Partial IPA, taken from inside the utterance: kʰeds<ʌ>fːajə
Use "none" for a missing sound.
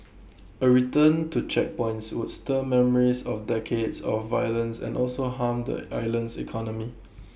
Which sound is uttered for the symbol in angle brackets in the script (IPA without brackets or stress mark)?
ɔ